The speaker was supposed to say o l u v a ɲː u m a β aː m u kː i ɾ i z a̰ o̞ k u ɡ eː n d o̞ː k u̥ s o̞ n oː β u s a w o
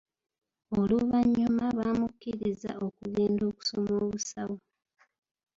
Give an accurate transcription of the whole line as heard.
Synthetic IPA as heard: o l u β a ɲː u m a β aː m u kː i ɾ i z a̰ o̞ k u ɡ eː n d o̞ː k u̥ s o̞ m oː β u s a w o